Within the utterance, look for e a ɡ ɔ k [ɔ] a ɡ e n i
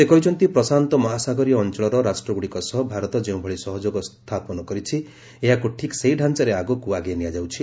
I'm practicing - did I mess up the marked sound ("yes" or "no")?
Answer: yes